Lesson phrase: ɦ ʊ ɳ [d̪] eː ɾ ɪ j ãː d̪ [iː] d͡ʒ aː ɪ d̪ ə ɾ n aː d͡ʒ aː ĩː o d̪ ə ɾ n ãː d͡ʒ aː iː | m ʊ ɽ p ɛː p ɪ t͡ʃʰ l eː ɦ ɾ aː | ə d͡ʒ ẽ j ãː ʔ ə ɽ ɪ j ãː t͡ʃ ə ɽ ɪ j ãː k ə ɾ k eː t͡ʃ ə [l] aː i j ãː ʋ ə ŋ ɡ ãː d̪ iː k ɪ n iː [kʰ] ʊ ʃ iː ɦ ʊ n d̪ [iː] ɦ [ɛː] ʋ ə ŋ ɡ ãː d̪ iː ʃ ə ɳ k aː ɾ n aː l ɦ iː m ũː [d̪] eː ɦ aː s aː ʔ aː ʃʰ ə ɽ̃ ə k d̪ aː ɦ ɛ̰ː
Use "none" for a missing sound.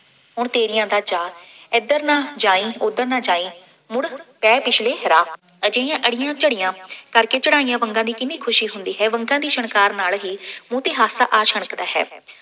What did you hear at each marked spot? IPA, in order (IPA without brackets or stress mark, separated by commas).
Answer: t̪, aː, ɽ, kʰ, iː, ɛː, t̪